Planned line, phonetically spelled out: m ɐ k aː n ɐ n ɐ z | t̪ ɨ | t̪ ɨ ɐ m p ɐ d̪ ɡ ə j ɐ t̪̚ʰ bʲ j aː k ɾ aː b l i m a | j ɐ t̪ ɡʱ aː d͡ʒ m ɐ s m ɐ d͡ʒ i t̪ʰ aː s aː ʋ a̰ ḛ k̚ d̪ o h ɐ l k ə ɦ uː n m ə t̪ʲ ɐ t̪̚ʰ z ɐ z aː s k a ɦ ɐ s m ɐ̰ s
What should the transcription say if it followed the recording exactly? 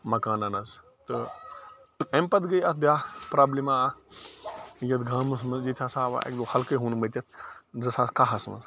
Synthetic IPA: m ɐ k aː n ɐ n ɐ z | t̪ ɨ | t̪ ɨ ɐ m p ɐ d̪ ɡ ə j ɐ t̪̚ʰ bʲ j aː p ɾ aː b l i m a | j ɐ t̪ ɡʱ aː m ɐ s m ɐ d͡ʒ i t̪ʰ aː s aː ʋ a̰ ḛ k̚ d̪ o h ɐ l k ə ɦ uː n m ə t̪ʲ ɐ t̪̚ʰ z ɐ s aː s k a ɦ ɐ s m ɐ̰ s

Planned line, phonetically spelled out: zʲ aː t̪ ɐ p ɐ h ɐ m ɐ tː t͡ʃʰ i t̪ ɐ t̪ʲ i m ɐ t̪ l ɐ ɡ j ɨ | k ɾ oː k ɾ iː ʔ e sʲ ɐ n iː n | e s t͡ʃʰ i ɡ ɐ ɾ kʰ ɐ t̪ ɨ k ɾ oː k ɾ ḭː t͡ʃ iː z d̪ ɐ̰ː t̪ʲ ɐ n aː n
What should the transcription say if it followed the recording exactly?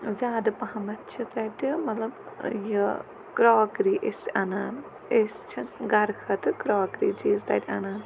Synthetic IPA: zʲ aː d̪ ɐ p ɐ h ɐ m ɐ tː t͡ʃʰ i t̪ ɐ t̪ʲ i m ɐ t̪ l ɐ b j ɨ | k ɾ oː k ɾ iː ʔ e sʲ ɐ n aː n | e s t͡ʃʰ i ɡ ɐ ɾ kʰ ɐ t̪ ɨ k ɾ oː k ɾ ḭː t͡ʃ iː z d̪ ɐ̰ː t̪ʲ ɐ n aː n

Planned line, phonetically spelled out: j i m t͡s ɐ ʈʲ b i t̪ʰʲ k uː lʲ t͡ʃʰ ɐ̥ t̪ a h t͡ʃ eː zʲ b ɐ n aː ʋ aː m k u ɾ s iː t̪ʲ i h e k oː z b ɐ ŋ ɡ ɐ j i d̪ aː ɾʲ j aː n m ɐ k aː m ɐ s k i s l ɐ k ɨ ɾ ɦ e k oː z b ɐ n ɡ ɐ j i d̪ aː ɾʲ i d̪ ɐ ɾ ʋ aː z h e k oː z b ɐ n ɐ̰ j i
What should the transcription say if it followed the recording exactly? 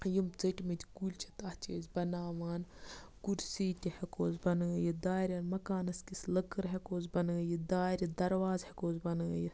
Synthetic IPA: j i m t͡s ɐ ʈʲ m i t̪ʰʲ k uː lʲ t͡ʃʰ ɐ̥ t̪ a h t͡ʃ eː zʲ b ɐ n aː ʋ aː n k u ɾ s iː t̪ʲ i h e k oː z b ɐ n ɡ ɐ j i d̪ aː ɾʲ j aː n m ɐ k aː n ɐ s k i s l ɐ k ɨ ɾ ɦ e k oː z b ɐ n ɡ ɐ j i d̪ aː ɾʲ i d̪ ɐ ɾ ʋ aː z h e k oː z b ɐ n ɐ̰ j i

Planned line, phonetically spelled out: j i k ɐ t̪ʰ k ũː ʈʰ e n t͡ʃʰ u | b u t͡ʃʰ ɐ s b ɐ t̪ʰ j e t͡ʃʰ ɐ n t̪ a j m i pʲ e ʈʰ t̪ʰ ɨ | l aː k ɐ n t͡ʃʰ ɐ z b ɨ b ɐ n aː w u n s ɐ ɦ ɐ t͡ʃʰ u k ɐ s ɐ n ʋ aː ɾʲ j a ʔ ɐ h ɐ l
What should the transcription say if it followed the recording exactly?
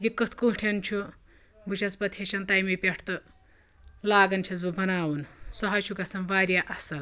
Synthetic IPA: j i k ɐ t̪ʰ k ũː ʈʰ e n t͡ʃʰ u | b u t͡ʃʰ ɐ s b ɐ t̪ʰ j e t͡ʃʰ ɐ n t̪ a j m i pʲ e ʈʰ t̪ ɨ | l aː ɡ ɐ n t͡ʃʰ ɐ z b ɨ b ɐ n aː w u n s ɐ ɦ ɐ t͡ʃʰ u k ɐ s ɐ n ʋ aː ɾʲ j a ʔ ɐ s ɐ l

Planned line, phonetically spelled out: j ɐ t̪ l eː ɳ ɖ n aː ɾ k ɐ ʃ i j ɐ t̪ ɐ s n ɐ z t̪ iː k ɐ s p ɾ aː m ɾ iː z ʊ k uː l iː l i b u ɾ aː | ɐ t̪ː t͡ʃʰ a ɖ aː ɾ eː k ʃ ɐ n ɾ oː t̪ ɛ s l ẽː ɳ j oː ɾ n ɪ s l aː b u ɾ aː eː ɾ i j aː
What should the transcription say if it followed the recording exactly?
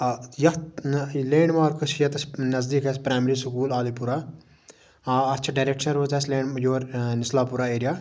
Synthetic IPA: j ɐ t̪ l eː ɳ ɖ m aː ɾ k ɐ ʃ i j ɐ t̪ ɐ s n ɐ z d̪ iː k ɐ s p ɾ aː m ɾ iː s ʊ k uː l aː l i p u ɾ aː | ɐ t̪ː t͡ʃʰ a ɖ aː ɾ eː k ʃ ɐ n ɾ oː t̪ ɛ s l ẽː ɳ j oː ɾ n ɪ s l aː p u ɾ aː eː ɾ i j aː

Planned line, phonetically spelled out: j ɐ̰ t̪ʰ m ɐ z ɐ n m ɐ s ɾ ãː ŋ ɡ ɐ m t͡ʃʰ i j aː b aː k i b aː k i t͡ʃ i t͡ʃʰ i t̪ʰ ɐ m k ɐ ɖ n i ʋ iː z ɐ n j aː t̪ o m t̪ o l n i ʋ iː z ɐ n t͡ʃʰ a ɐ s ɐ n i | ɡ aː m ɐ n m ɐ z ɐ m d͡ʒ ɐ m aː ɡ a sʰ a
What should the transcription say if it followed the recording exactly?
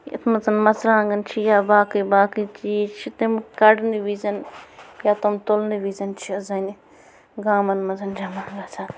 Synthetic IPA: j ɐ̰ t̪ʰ m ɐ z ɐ n m ɐ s ɾ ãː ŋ ɡ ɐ n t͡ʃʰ i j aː b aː k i b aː k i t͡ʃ i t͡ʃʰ i t̪ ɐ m k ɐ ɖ n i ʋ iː z ɐ n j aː t̪ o m t̪ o l n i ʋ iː z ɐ n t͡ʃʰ i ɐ z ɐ n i | ɡ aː m ɐ n m ɐ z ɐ n d͡ʒ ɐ m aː ɡ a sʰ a

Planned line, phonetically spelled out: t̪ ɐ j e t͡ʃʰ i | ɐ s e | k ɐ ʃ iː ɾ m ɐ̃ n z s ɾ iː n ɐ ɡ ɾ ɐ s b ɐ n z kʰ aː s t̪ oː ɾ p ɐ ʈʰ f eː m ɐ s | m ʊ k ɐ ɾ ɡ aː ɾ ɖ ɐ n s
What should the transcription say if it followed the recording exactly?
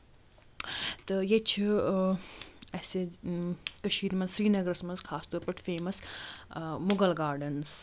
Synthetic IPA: t̪ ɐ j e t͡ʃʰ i | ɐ s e | k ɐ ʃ iː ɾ m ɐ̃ n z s ɾ iː n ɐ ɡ ɾ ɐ s m ɐ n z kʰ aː s t̪ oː ɾ p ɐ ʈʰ f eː m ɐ s | m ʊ ɡ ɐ l ɡ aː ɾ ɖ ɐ n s

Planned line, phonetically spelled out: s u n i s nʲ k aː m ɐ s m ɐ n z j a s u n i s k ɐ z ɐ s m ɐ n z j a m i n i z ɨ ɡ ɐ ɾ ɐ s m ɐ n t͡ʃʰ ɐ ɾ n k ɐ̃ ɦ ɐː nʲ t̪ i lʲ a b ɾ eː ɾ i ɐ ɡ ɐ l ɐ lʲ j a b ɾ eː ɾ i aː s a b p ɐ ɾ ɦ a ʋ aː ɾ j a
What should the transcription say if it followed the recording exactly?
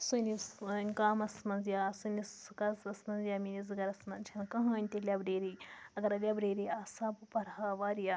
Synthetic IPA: s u n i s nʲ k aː m ɐ s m ɐ n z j a s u n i s k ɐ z ɐ s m ɐ n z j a m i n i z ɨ ɡ ɐ ɾ ɐ s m ɐ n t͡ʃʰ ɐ n k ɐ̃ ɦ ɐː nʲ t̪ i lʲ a b ɾ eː ɾ i ɐ ɡ ɐ ɾ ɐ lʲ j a b ɾ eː ɾ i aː s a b p ɐ ɾ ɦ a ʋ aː ɾ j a

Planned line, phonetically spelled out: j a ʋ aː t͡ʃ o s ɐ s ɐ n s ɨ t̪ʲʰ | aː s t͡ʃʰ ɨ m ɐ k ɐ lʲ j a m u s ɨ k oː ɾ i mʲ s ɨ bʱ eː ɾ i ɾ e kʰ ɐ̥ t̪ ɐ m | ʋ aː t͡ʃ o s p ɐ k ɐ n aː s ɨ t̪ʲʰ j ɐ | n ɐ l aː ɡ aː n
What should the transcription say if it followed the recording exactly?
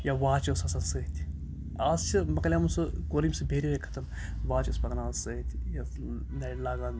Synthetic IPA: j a ʋ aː t͡ʃ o s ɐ s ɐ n s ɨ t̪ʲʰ | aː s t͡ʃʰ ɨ m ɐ k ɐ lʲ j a m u s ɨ k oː ɾ i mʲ s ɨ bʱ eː ɾ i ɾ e kʰ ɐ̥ t̪ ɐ m | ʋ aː t͡ʃ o s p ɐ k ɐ n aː s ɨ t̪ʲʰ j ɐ | n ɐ l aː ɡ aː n

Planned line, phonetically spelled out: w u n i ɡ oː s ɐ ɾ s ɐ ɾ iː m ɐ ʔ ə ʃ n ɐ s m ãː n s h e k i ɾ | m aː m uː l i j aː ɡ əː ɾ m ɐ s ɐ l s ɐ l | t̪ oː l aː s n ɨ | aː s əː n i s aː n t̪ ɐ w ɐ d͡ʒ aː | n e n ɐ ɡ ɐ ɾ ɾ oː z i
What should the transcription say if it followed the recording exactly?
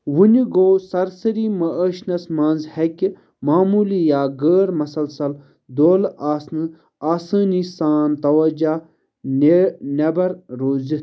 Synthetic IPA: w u n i ɡ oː s ɐ ɾ s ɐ ɾ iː m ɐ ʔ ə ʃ n ɐ s m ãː n z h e k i | m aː m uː l i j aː ɡ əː ɾ m ɐ s ɐ l s ɐ l | d̪ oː l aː s n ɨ | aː s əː n i s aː n t̪ ɐ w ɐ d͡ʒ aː | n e n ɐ b ɐ ɾ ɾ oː z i

